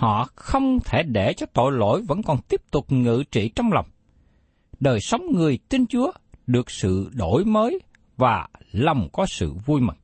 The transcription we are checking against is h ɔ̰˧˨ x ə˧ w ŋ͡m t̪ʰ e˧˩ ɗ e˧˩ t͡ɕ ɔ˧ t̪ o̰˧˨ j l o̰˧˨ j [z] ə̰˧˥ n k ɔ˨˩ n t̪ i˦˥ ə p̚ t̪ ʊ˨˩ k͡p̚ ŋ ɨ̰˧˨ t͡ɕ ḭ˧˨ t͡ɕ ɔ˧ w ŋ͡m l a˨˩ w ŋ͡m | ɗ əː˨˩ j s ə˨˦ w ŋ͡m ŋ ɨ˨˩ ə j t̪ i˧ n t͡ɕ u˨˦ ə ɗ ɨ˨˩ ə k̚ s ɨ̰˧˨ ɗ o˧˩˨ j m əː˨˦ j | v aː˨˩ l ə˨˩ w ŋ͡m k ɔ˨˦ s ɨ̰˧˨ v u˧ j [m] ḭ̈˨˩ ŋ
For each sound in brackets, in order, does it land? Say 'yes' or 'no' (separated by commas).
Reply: no, yes